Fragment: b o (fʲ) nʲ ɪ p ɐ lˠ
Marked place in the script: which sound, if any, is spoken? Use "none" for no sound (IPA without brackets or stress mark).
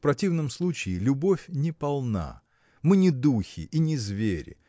fʲ